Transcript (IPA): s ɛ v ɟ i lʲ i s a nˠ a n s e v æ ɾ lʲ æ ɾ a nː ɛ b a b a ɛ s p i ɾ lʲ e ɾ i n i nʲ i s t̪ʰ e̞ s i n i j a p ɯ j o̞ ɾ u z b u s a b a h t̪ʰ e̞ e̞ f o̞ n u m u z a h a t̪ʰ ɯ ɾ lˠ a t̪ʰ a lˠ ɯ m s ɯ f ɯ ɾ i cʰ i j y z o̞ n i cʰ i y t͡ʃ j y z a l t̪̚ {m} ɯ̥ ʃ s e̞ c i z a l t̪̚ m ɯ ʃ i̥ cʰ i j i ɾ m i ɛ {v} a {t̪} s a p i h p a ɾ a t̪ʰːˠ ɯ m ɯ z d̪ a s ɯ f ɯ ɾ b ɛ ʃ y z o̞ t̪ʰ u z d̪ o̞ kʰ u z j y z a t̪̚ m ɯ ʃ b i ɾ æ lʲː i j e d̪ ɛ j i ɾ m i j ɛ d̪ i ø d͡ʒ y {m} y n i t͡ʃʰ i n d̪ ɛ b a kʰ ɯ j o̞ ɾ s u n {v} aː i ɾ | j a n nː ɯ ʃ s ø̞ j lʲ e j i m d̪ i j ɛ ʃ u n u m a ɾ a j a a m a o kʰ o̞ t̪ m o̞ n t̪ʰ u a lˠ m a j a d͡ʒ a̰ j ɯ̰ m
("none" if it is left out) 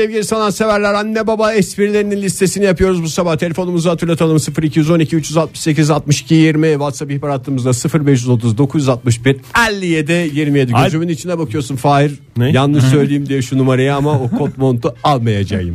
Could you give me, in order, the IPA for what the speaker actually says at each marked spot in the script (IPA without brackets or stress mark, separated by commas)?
m, v, t̪, m, f